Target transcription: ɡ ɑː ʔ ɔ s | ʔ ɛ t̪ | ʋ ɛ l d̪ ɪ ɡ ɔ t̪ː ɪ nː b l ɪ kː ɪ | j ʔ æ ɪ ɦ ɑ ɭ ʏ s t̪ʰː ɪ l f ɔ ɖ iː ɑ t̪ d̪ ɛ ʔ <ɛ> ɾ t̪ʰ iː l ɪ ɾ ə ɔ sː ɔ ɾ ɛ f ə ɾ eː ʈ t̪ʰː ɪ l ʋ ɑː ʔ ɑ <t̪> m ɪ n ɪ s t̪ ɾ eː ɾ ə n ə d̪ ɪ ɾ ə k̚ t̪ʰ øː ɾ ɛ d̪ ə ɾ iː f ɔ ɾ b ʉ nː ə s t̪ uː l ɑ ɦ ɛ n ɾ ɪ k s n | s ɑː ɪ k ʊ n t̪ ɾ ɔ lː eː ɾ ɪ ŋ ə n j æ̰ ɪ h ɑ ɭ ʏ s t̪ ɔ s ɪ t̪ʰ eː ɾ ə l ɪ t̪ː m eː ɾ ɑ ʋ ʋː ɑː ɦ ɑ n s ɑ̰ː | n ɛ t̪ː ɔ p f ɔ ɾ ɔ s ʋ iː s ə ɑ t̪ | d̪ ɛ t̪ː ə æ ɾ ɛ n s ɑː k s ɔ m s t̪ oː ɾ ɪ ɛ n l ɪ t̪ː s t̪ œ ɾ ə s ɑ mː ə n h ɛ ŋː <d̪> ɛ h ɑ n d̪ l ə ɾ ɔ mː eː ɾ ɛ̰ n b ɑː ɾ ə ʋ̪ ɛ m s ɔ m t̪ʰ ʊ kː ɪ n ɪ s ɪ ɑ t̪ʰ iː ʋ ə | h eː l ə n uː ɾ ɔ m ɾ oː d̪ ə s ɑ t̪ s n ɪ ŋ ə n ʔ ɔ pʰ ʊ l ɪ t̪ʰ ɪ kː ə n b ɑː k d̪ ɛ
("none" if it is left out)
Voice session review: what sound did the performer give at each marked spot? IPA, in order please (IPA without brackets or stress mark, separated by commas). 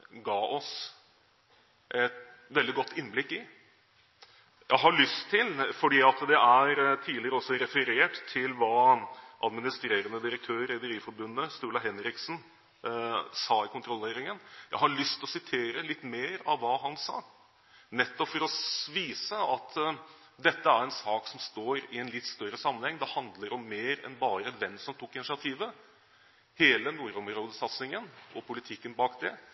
æ, d̪, d̪